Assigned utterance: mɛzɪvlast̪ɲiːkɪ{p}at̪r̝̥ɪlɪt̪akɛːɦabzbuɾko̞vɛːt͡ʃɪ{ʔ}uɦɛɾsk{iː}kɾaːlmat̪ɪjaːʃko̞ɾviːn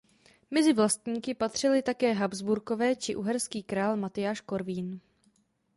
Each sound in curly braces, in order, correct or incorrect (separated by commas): correct, correct, correct